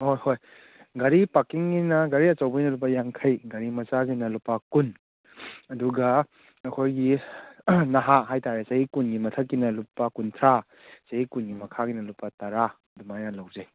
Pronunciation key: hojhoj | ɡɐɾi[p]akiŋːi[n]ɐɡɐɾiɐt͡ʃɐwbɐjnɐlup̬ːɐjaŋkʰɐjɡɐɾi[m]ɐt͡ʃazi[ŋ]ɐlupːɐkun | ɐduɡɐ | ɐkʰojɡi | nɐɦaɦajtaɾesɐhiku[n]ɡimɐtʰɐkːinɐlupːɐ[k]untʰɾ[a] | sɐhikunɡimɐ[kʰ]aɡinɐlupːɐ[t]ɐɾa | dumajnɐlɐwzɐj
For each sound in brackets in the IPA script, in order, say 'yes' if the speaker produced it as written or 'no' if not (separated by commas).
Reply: yes, yes, yes, no, yes, yes, yes, yes, yes